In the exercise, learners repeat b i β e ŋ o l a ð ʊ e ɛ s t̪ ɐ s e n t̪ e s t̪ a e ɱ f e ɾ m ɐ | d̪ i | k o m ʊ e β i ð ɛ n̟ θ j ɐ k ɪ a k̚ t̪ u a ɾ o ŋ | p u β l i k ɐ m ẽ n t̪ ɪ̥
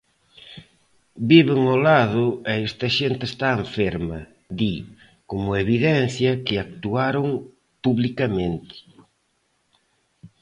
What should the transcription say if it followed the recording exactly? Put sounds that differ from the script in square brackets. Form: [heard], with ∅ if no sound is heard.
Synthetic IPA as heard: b i β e ŋ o l a ð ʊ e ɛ s t̪ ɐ [ʃ] e n t̪ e s t̪ a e ɱ f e ɾ m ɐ | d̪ i | k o m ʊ e β i ð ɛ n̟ θ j ɐ k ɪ a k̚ t̪ u a ɾ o ŋ | p u β l i k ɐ m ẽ n t̪ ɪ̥

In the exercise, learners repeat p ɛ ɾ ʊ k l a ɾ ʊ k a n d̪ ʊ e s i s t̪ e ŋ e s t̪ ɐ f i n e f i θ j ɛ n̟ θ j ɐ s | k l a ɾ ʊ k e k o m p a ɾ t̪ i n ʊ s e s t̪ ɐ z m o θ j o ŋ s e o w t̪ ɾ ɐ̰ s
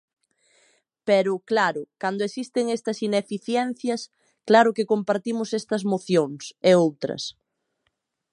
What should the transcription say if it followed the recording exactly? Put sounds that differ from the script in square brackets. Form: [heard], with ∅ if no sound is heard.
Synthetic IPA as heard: p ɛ ɾ ʊ k l a ɾ ʊ k a n d̪ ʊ e s i s t̪ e ŋ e s t̪ ɐ [s] i n e f i θ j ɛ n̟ θ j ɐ s | k l a ɾ ʊ k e k o m p a ɾ t̪ i [m] ʊ s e s t̪ ɐ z m o θ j o ŋ s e o w t̪ ɾ ɐ̰ s

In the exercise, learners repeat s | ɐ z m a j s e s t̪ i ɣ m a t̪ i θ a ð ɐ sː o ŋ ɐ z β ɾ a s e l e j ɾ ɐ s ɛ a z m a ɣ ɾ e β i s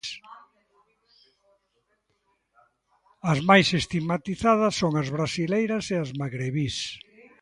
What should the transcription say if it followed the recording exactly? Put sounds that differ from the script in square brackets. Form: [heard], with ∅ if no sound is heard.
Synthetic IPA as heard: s | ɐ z m a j s e s t̪ i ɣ m a t̪ i θ a ð ɐ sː o ŋ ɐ z β ɾ a s [i] l e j ɾ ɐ s [e] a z m a ɣ ɾ e β i s

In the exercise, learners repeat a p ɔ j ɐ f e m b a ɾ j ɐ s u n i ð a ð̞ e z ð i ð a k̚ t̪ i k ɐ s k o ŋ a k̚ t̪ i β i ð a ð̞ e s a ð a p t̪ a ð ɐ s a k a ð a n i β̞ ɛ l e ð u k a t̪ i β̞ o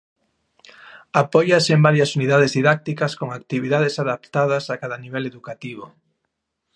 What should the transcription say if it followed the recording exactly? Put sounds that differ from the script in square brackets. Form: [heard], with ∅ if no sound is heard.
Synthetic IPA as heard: a p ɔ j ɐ [s] e m b a ɾ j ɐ s u n i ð a ð̞ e z ð i ð a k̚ t̪ i k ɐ s k o ŋ a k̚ t̪ i β i ð a ð̞ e s a ð a p t̪ a ð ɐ s a k a ð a n i β̞ ɛ l e ð u k a t̪ i β̞ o

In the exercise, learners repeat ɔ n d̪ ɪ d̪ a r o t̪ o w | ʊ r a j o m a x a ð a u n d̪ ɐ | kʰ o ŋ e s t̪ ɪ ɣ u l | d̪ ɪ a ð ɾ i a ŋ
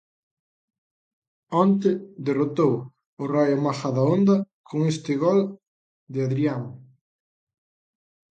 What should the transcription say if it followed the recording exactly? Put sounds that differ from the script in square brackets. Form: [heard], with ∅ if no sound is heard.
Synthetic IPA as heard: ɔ n [t̪] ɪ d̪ [e] r o t̪ o w | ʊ r a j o m a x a ð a [o] n d̪ ɐ | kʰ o ŋ e s t̪ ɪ ɣ [ɔ] l | d̪ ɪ a ð ɾ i a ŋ

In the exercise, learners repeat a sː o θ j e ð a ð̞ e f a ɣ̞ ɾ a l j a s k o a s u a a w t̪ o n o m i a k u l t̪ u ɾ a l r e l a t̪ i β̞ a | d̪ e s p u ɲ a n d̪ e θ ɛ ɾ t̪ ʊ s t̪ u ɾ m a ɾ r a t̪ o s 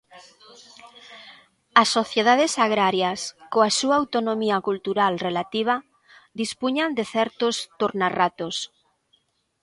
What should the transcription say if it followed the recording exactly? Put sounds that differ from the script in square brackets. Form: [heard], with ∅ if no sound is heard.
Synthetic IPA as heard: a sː o θ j e ð a ð̞ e [s] a ɣ̞ ɾ a [ɾ] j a s k o a s u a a w t̪ o n o m i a k u l t̪ u ɾ a l r e l a t̪ i β̞ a | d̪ [i] s p u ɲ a n d̪ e θ ɛ ɾ t̪ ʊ s t̪ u ɾ [n] a [∅] r a t̪ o s

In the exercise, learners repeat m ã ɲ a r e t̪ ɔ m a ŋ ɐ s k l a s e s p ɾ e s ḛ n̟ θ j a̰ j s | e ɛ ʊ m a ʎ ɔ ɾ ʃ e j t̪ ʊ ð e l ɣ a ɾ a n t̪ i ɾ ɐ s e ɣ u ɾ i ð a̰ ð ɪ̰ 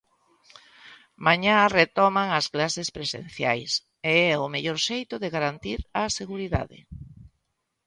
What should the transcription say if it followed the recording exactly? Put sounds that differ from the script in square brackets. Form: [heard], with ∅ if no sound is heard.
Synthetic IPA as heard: m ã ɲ a r e t̪ ɔ m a ŋ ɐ s k l a s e s p ɾ e s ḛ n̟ θ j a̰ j s | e ɛ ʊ m [e] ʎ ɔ ɾ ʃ e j t̪ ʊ ð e [∅] ɣ a ɾ a n t̪ i ɾ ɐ s e ɣ u ɾ i ð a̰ ð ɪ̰

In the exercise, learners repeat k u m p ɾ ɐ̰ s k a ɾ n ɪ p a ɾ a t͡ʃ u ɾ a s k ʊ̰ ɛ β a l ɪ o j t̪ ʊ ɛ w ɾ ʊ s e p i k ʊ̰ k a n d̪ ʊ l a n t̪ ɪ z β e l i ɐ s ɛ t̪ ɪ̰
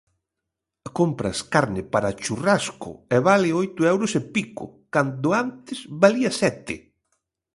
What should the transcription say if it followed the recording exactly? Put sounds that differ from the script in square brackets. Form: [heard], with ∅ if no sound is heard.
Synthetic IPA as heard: k [o] m p ɾ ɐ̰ s k a ɾ n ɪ p a ɾ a t͡ʃ u [r] a s k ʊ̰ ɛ β a l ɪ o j t̪ ʊ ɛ w ɾ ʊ s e p i k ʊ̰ k a n d̪ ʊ [∅] a n t̪ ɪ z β [a] l i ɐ s ɛ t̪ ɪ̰

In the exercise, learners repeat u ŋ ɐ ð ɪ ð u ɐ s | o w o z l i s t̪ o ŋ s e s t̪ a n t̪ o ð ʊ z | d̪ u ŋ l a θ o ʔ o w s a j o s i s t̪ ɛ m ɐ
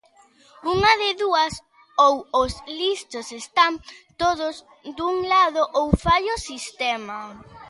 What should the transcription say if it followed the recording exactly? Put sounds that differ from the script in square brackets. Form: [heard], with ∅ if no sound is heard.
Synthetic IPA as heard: u ŋ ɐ ð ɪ ð u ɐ s | o w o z l i s t̪ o [∅] s e s t̪ a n t̪ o ð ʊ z | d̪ u ŋ l a [ð] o ʔ o w [f] a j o s i s t̪ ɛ m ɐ

